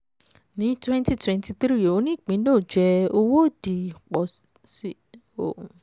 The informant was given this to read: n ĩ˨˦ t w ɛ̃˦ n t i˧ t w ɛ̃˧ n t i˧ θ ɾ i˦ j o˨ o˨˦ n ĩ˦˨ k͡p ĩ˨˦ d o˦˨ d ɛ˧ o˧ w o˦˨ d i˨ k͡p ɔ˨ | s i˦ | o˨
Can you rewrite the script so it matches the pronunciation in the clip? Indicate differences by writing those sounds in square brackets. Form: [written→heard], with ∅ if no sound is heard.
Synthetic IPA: n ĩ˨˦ t w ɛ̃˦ n t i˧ t w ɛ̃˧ n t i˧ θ ɾ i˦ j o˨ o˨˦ n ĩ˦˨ k͡p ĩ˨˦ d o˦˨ [d→d͡ʒ] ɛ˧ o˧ w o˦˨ d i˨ k͡p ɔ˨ | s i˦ | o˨